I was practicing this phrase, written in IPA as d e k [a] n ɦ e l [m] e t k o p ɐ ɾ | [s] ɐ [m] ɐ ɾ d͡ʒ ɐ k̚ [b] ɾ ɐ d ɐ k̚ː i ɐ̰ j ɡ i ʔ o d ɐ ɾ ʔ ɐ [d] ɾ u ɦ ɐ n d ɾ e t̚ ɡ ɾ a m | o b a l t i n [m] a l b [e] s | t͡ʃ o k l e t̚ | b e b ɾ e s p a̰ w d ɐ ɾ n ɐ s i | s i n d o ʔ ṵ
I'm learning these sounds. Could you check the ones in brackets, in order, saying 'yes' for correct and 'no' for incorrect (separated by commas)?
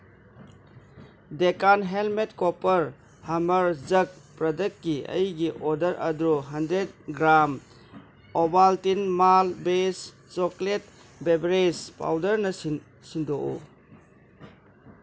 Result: yes, yes, no, yes, no, yes, yes, yes